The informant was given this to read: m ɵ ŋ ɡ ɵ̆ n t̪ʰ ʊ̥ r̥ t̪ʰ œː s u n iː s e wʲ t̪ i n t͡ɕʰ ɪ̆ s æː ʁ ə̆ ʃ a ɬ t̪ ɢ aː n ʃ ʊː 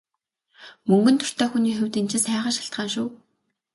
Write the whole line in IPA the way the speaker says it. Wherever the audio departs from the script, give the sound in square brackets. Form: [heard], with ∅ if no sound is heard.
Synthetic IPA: m ɵ ŋ ɡ ɵ̆ n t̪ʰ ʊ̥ r̥ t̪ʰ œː [x] u n iː [x] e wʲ t̪ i n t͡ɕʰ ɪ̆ s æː ʁ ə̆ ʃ a ɬ t̪ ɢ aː n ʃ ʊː